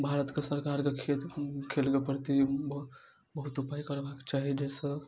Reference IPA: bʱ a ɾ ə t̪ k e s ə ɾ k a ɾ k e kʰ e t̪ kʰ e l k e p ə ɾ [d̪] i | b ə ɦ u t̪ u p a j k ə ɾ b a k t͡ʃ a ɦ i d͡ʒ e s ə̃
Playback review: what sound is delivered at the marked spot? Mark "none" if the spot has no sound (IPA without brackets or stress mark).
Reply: t̪